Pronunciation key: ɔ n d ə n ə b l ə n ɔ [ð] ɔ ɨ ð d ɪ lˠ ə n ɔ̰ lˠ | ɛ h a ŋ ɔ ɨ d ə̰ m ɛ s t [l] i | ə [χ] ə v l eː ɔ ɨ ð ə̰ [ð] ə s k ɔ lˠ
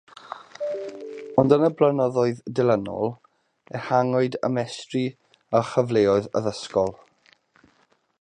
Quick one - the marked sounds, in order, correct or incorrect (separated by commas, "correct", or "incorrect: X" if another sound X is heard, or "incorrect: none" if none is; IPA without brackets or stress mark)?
correct, incorrect: r, correct, correct